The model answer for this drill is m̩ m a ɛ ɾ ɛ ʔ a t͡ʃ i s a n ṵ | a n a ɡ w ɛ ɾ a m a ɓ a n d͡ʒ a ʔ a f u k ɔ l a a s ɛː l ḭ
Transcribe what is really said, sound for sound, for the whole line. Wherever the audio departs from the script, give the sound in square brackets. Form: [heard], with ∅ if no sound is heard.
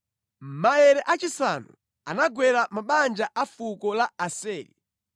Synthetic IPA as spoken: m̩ m a ɛ ɾ ɛ ʔ a t͡ʃ i s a n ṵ | a n a ɡ w ɛ ɾ a m a ɓ a n d͡ʒ a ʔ a f u k ɔ l a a s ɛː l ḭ